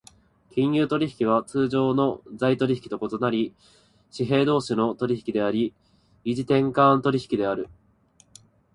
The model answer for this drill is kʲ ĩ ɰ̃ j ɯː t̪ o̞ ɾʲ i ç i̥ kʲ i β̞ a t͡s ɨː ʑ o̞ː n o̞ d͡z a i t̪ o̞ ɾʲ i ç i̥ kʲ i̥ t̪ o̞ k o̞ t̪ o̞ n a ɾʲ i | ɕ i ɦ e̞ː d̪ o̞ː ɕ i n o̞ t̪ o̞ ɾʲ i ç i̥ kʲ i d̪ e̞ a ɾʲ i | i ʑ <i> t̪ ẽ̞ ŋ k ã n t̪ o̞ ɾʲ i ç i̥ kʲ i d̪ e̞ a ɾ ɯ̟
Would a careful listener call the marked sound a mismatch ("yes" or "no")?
no